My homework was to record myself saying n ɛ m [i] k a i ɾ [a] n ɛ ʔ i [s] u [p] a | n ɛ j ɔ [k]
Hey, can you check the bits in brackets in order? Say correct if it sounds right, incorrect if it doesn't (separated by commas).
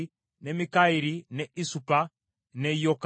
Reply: correct, incorrect, correct, correct, correct